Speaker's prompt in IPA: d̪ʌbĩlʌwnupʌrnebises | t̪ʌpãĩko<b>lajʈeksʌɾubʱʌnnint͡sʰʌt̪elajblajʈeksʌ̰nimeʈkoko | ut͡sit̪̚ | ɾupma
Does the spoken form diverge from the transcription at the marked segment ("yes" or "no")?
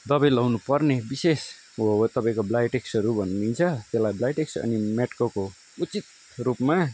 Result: no